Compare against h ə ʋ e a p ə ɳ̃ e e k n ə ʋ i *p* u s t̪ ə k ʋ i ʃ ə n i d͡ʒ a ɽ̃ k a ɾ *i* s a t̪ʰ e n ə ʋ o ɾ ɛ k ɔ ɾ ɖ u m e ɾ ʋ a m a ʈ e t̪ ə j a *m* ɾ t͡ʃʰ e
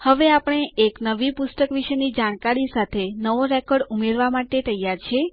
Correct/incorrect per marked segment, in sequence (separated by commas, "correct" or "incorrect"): correct, correct, incorrect